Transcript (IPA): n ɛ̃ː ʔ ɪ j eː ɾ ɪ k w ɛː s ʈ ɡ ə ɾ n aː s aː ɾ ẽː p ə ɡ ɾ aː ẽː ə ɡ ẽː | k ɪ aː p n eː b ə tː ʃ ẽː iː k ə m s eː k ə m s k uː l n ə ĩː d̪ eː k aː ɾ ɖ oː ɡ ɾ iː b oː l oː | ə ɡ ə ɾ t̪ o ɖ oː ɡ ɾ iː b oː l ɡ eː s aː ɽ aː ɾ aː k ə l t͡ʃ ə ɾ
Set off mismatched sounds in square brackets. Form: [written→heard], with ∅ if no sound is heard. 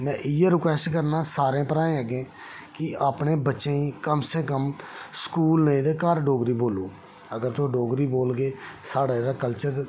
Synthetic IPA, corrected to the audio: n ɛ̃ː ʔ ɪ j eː ɾ ɪ k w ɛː s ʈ [ɡ→k] ə ɾ n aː s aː ɾ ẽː p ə [ɡ→∅] ɾ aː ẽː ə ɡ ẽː | k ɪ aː p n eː b ə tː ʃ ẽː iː k ə m s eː k ə m s k uː l n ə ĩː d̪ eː k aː ɾ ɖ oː ɡ ɾ iː b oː l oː | ə ɡ ə ɾ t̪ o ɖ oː ɡ ɾ iː b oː l ɡ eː s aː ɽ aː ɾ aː k ə l t͡ʃ ə ɾ